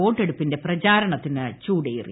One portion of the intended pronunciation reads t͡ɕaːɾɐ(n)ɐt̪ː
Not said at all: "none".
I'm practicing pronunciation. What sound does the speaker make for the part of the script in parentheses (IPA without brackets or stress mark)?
ɳ